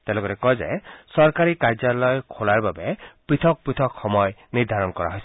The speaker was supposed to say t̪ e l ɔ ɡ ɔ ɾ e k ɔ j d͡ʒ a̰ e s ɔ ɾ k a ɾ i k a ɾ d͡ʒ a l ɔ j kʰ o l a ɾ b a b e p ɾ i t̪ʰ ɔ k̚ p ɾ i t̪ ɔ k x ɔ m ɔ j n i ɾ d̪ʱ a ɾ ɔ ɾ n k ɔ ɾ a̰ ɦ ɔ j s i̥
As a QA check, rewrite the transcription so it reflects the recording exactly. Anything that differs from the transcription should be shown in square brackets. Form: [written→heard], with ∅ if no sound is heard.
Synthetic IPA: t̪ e l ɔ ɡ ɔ ɾ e k ɔ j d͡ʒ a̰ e s ɔ ɾ k a ɾ i k a ɾ d͡ʒ a l ɔ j kʰ o l a ɾ b a b e p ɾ i t̪ʰ ɔ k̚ p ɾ i [t̪→t̪ʰ] ɔ k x ɔ m ɔ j n i ɾ d̪ʱ a ɾ ɔ [ɾ→∅] n k ɔ ɾ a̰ ɦ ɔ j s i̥

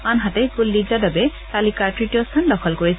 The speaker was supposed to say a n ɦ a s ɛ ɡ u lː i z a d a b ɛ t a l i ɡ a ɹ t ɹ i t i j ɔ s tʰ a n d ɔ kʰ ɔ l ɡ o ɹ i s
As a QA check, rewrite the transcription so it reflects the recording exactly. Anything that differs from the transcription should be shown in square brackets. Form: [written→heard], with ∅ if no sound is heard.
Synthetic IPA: a n ɦ a [s→t] ɛ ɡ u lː i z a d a b ɛ t a l i [ɡ→k] a ɹ t ɹ i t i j ɔ s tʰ a n d ɔ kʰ ɔ l [ɡ→k] o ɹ i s

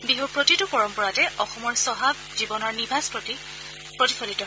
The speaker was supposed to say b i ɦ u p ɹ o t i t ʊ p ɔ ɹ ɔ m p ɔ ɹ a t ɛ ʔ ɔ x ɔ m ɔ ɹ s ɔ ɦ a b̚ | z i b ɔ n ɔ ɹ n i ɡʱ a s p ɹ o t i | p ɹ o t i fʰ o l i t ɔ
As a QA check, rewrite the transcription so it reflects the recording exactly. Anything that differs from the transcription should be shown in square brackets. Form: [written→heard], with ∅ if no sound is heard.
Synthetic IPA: b i ɦ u p ɹ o t i t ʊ p ɔ ɹ ɔ m p ɔ ɹ a t ɛ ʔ ɔ x ɔ m ɔ ɹ s ɔ ɦ a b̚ | z i b ɔ n ɔ ɹ n i [ɡʱ→bʱ] a s p ɹ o t i | p ɹ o t i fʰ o l i t ɔ

